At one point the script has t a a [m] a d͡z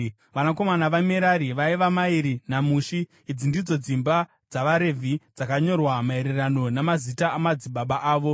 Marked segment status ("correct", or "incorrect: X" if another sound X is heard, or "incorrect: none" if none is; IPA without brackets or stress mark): correct